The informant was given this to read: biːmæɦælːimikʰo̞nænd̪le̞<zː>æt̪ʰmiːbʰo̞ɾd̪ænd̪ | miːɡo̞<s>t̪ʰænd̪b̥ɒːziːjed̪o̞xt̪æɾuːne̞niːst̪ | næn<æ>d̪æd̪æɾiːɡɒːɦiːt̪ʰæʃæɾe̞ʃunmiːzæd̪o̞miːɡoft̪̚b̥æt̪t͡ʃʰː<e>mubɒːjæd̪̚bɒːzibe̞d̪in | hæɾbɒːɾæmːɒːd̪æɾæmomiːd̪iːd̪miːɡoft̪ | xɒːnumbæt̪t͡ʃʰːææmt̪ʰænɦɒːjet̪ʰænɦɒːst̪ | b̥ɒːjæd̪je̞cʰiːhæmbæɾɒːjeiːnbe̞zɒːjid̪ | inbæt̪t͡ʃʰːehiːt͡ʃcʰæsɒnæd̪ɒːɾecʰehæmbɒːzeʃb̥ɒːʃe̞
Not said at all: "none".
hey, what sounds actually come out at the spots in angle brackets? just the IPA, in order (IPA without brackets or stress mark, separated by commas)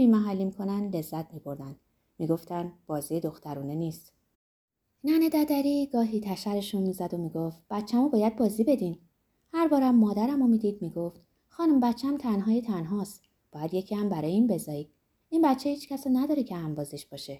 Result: zː, f, e, æ